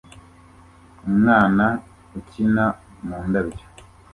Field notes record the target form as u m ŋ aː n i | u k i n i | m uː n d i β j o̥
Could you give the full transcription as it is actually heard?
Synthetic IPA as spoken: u m ŋ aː n a | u c i n a | m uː n d a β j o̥